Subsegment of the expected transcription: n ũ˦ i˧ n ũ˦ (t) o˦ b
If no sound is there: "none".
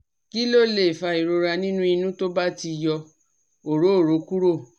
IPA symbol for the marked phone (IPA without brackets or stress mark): t